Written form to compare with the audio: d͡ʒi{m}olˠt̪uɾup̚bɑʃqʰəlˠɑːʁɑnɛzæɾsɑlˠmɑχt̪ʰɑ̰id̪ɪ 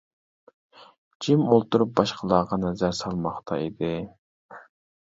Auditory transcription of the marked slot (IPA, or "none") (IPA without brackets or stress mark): m